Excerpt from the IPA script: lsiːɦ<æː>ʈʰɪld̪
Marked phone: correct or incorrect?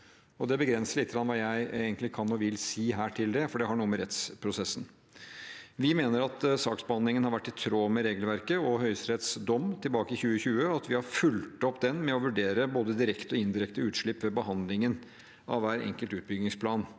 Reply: correct